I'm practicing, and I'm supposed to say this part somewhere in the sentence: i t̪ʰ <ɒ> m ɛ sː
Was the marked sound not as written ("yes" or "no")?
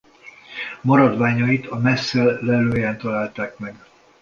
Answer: no